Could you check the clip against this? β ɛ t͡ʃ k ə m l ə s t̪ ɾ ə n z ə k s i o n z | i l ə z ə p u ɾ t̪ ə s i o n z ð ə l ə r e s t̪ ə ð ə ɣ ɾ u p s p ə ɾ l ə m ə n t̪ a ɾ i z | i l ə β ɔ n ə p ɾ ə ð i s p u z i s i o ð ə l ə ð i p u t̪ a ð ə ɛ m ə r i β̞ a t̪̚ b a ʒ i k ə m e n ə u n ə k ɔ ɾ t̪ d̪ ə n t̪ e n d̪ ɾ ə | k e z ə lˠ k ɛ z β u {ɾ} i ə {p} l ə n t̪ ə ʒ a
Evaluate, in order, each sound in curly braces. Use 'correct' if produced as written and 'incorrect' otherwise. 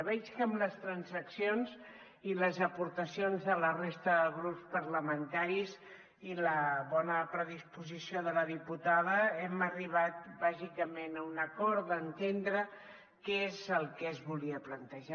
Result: incorrect, correct

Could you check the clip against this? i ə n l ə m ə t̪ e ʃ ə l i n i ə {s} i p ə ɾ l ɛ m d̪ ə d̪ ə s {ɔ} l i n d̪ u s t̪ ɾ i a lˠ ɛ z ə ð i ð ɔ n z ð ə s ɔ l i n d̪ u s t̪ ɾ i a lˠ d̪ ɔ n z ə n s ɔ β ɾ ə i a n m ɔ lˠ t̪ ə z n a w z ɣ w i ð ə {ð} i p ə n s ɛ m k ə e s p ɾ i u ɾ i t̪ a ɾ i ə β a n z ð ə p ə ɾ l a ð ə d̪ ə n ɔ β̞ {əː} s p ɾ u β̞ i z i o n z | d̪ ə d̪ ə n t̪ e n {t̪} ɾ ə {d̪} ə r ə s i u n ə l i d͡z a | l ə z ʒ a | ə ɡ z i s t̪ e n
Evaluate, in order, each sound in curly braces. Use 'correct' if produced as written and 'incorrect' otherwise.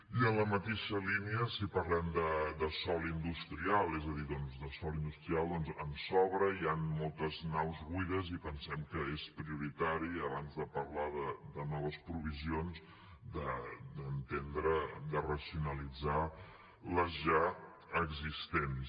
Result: correct, correct, incorrect, incorrect, incorrect, correct

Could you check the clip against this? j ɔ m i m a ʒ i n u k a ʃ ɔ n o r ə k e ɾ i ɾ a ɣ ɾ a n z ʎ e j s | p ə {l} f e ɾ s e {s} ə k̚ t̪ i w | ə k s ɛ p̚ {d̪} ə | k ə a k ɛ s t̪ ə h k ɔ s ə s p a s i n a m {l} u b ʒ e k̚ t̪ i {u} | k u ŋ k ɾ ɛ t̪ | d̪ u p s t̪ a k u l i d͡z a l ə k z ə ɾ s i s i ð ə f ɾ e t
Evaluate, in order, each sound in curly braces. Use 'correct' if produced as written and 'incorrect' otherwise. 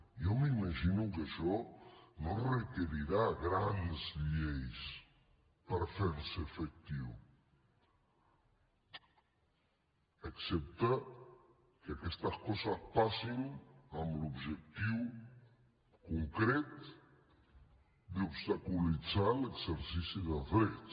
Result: incorrect, incorrect, incorrect, correct, incorrect

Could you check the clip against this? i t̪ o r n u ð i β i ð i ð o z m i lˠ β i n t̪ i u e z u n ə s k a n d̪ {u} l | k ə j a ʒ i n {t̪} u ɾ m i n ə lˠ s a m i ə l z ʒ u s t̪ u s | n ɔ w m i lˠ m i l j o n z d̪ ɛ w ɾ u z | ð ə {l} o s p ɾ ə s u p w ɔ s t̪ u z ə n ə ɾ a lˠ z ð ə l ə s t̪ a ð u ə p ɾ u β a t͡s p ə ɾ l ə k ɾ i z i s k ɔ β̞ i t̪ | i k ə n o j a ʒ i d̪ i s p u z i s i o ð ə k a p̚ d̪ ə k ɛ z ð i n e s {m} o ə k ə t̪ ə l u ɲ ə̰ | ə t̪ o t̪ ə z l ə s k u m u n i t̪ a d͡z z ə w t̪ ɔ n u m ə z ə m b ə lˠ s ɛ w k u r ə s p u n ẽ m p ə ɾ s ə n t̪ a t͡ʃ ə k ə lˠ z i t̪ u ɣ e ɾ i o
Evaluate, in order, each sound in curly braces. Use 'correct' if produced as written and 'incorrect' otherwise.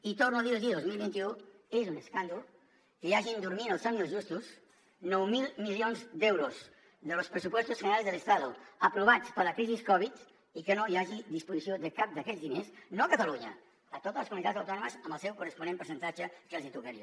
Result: correct, incorrect, correct, incorrect

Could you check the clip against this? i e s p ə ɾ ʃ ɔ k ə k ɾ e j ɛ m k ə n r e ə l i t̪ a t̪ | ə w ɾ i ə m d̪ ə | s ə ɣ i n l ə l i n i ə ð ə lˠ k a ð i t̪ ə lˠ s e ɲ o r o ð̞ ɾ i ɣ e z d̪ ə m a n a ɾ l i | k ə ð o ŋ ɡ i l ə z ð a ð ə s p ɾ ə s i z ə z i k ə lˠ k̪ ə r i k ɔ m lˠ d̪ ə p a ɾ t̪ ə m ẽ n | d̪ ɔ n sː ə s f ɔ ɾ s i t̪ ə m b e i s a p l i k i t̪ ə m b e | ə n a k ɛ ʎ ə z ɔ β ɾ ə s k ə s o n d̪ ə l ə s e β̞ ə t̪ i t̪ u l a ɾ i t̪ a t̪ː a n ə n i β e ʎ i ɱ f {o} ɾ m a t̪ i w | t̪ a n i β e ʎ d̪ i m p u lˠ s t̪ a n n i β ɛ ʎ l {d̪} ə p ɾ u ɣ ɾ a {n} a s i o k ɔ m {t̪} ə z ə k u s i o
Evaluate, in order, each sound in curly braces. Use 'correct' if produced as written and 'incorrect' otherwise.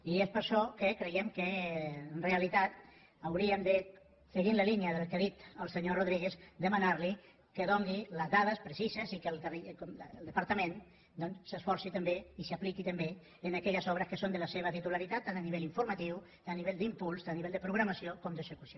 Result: incorrect, correct, incorrect, incorrect

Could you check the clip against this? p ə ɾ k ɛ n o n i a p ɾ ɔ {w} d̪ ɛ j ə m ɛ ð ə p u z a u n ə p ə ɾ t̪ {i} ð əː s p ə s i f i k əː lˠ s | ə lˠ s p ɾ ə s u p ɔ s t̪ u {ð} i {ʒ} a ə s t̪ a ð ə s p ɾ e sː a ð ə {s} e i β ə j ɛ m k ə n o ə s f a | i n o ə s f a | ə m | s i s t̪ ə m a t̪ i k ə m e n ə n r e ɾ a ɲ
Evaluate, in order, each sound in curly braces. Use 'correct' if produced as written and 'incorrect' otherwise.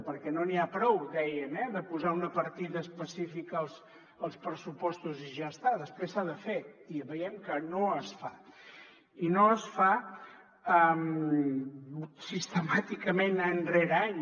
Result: correct, correct, incorrect, correct, incorrect

